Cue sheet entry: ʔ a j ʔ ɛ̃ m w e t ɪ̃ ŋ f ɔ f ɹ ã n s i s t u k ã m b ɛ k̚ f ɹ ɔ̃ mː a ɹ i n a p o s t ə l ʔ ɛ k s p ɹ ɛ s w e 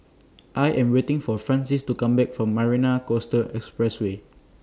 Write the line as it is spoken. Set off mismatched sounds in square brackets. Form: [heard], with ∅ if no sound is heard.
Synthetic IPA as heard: ʔ a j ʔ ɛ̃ m w e t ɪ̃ ŋ f ɔ f ɹ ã n s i s t u k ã m b ɛ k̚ f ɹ ɔ̃ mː a ɹ i n a [k] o s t ə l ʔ ɛ k s p ɹ ɛ s w e